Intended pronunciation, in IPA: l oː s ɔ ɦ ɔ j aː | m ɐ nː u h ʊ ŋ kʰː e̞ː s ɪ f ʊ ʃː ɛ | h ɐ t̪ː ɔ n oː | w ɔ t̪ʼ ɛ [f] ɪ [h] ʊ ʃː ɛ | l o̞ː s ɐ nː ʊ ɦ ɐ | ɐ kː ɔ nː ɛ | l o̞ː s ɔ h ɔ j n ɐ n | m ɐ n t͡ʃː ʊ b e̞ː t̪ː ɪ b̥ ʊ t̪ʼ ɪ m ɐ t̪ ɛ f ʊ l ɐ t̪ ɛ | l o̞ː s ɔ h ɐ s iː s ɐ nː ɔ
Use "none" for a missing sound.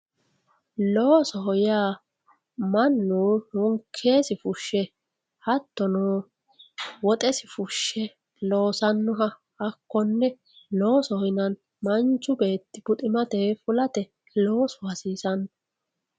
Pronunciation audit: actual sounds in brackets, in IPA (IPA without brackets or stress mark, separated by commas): s, f